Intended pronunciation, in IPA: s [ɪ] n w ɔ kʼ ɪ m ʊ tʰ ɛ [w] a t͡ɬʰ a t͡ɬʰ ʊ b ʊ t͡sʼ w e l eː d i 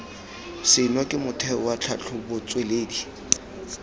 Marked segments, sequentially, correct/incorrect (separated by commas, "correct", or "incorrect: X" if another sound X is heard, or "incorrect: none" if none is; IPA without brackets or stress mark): correct, correct